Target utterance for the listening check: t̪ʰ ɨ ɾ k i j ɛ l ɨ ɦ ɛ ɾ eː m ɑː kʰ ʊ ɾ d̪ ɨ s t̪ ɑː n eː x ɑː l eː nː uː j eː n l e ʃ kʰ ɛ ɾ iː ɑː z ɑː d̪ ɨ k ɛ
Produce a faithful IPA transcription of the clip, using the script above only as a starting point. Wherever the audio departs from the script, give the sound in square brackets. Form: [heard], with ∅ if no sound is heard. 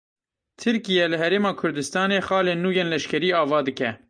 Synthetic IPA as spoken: t̪ʰ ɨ ɾ k i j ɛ l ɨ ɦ ɛ ɾ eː m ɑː kʰ ʊ ɾ d̪ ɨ s t̪ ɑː n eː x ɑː l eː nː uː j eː n l [ɛ] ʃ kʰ ɛ ɾ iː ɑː [v] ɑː d̪ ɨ k ɛ